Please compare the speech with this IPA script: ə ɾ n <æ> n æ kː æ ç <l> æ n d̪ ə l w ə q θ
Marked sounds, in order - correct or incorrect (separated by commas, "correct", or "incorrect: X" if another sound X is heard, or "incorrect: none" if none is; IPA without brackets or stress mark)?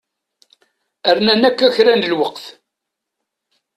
correct, incorrect: ɾ